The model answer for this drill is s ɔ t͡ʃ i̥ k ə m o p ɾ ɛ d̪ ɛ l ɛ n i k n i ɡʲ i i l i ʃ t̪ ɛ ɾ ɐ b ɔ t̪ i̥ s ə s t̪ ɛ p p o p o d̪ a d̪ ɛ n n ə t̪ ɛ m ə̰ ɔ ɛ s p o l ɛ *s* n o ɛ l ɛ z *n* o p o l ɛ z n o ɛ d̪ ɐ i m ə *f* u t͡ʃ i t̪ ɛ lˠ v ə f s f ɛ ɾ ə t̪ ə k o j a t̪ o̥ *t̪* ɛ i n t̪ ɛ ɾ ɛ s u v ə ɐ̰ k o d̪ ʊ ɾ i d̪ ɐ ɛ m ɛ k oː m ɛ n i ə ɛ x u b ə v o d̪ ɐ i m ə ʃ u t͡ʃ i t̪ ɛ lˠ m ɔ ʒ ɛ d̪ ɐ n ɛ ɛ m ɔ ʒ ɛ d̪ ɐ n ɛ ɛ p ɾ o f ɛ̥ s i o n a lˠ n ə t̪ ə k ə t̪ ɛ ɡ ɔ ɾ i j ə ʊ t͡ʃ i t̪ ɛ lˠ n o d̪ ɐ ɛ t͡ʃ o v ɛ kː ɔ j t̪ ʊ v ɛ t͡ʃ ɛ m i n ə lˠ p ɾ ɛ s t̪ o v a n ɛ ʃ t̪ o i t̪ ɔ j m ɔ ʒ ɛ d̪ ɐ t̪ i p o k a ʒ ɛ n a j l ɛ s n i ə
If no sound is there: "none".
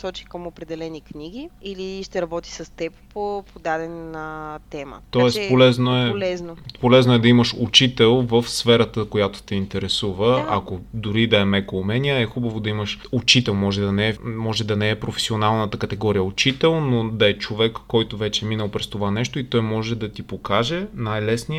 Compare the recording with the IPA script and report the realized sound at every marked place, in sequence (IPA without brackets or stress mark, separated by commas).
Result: z, n, ʃ, t̪